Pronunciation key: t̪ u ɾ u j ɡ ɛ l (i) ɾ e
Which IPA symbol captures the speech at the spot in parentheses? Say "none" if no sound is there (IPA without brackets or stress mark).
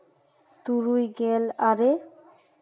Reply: a